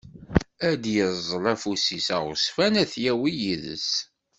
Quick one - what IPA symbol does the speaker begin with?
æ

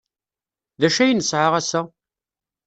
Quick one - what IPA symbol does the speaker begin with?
ð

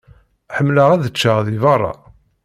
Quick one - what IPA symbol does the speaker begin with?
ħ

